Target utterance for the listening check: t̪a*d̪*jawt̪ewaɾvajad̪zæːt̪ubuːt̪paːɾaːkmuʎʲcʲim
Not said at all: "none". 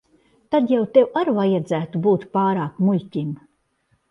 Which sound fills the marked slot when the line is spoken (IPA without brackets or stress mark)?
d̪